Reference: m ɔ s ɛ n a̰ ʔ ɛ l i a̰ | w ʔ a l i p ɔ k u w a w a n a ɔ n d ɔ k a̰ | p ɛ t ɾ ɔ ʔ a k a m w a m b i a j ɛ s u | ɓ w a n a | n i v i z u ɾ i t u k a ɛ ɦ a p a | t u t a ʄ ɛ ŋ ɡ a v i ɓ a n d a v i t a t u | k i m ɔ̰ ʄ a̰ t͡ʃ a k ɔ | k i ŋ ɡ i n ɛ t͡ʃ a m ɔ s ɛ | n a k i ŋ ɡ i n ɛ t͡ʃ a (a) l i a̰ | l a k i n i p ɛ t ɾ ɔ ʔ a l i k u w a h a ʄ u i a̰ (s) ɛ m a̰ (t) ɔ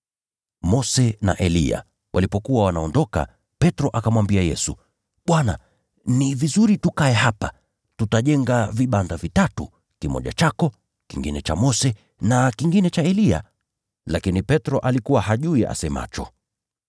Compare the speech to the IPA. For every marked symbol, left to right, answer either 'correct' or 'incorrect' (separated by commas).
incorrect, correct, incorrect